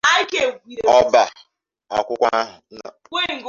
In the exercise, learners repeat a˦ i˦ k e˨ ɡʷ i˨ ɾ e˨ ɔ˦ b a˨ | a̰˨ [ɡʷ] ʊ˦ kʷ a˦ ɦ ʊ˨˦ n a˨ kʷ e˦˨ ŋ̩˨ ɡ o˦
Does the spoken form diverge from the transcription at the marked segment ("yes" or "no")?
yes